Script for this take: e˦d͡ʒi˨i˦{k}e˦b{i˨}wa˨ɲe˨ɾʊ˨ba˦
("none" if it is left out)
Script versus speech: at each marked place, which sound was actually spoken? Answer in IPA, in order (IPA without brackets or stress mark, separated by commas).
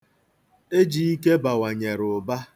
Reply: k, a˨